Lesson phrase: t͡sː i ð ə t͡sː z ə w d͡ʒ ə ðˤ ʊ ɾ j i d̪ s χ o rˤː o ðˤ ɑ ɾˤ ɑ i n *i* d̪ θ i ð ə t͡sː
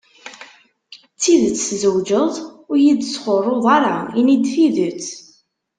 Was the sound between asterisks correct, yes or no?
yes